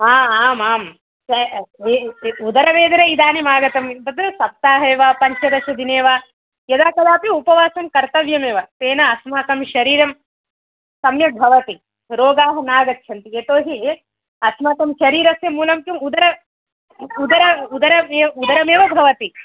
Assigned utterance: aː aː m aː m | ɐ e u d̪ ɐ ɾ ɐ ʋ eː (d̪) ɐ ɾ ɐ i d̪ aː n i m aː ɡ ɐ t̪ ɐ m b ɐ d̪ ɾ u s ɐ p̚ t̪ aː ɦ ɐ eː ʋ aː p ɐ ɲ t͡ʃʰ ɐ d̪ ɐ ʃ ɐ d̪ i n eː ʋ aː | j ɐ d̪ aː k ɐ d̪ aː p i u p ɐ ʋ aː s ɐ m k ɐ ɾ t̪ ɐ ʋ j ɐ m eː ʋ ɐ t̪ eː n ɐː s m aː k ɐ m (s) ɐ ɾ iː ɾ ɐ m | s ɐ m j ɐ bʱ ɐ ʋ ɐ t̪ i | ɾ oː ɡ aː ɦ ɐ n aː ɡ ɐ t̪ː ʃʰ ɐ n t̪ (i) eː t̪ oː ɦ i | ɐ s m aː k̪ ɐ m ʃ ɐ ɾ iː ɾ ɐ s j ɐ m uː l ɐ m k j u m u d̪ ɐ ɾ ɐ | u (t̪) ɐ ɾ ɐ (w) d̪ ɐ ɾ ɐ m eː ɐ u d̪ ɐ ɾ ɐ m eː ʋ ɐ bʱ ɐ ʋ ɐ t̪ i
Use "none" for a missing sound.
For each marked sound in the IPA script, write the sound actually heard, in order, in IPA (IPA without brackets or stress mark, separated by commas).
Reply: d̪, ʃ, i, d̪, u